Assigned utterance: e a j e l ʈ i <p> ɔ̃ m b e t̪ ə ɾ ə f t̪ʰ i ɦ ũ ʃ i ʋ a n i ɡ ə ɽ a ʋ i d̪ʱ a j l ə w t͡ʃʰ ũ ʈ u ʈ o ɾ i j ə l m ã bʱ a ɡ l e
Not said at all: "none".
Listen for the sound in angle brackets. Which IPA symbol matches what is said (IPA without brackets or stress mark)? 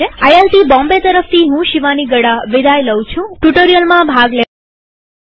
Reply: b